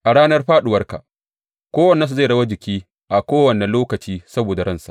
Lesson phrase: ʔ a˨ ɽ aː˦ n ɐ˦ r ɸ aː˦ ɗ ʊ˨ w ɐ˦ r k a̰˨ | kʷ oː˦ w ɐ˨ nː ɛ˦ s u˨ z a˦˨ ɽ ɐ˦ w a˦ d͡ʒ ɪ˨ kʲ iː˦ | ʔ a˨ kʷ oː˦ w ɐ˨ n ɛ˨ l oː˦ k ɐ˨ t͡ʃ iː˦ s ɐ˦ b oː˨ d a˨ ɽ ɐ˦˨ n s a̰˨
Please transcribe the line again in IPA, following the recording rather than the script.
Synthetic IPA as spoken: ʔ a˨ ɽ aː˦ n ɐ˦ r ɸ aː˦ ɗ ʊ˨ w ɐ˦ r k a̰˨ | kʷ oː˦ w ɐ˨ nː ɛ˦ s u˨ z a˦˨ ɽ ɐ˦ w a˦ d͡ʒ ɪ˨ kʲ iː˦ | ʔ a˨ kʷ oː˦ w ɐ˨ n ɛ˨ l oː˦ k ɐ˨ t͡ʃ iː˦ s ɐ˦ b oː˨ d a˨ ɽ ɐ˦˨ n s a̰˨

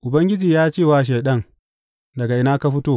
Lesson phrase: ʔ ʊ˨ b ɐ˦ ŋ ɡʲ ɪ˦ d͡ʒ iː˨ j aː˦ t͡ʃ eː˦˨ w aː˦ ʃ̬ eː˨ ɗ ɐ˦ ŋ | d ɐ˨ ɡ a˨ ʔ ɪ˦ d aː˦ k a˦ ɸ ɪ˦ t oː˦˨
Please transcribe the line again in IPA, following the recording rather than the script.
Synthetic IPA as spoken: ʔ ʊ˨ b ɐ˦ ŋ ɡʲ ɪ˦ d͡ʒ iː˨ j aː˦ t͡ʃ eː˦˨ w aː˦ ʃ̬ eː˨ ɗ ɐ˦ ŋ | d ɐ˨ ɡ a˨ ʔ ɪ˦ n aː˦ k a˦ ɸ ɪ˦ t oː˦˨

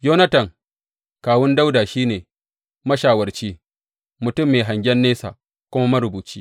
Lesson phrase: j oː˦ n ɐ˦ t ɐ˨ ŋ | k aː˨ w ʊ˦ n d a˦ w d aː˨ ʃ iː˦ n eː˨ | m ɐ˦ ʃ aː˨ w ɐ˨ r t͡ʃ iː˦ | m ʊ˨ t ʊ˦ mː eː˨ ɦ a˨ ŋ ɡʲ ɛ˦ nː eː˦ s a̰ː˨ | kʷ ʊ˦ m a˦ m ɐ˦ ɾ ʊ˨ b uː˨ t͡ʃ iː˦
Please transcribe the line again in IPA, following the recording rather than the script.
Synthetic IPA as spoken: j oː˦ n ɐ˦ t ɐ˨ ŋ | k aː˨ w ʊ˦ n d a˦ w d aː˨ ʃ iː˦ n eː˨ | m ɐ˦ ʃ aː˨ w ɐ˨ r t͡ʃ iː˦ | m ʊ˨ t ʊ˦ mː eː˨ ɦ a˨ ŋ ɡʲ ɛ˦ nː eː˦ s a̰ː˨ | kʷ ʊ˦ m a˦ m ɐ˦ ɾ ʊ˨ b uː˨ t͡ʃ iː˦

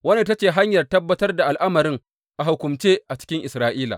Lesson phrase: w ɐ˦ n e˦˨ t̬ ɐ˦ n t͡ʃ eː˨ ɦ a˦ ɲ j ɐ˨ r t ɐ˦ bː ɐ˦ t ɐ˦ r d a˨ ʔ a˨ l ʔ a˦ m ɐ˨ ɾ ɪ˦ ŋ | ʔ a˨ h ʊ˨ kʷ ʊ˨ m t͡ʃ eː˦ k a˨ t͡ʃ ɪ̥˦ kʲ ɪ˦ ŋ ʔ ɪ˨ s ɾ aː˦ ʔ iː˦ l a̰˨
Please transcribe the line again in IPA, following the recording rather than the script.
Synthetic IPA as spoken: w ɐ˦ n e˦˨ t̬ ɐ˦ t͡ʃ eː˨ ɦ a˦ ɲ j ɐ˨ r t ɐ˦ bː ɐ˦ t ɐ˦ r d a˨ ʔ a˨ l ʔ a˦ m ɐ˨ ɾ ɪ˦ ŋ | ʔ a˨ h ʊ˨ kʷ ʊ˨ m t͡ʃ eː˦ ʔ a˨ t͡ʃ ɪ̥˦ kʲ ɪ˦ ŋ ʔ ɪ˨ s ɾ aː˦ ʔ iː˦ l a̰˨

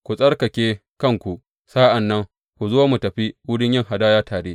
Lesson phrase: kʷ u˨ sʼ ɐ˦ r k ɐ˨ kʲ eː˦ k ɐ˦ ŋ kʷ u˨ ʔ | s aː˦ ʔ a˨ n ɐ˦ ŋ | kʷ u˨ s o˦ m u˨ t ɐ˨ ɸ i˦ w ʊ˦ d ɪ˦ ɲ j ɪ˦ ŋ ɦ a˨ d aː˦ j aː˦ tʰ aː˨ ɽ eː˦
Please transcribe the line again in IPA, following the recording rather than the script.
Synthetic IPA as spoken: kʷ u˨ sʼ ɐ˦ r k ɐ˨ kʲ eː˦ k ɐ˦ ŋ kʷ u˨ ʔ | s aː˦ ʔ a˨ nː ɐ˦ ŋ | kʷ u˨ z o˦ m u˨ t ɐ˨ ɸ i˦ w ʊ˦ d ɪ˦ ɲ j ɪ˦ ŋ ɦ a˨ d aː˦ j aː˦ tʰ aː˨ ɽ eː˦

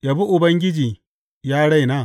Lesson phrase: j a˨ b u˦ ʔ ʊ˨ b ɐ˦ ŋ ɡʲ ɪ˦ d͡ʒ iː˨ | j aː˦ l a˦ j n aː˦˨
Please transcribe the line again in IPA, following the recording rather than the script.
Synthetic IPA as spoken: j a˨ b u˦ ʔ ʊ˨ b ɐ˦ ŋ ɡʲ ɪ˦ d͡ʒ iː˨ | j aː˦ ɽ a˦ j n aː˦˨

